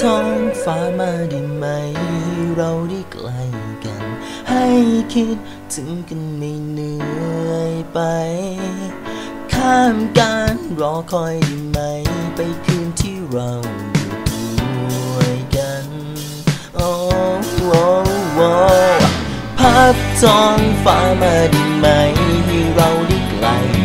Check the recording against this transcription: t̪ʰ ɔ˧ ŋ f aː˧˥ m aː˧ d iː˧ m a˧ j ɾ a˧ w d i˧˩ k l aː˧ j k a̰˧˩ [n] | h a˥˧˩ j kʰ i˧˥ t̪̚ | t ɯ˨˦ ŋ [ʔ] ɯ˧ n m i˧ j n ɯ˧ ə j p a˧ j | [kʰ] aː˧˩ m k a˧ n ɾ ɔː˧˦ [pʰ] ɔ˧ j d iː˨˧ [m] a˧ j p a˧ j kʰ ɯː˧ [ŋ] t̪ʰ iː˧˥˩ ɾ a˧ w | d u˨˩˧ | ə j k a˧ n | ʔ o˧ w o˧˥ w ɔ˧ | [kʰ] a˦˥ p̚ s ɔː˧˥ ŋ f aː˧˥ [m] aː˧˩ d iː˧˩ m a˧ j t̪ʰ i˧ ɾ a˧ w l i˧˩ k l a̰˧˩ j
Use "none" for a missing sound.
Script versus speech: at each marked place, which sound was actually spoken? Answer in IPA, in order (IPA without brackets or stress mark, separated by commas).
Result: n, k, kʰ, kʰ, m, n, pʰ, m